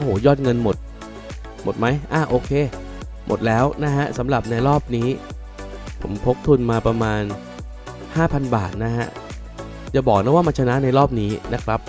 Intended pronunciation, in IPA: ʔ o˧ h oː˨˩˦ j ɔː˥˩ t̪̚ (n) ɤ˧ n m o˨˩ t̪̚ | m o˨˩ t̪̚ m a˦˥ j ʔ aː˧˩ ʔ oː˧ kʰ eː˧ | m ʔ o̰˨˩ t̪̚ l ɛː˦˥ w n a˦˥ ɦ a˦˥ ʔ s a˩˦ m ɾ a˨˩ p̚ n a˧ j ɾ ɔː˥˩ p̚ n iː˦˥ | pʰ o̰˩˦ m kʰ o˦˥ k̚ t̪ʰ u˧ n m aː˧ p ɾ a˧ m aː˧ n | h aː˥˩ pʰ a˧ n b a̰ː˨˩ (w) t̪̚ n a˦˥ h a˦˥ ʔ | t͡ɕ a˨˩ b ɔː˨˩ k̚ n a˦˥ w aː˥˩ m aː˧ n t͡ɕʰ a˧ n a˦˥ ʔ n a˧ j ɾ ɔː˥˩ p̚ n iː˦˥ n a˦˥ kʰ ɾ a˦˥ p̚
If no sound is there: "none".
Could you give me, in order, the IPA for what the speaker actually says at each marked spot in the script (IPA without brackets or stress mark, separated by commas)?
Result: ŋ, none